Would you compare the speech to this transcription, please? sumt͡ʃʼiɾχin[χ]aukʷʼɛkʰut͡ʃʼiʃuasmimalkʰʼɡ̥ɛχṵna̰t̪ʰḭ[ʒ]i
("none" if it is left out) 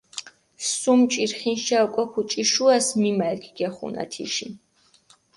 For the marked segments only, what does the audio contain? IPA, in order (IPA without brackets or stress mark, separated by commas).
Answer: ʃ, ʃ